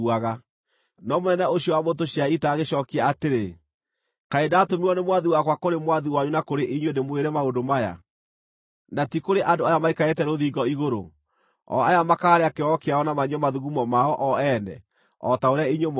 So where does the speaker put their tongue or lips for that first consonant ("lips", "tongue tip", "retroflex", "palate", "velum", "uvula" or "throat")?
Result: velum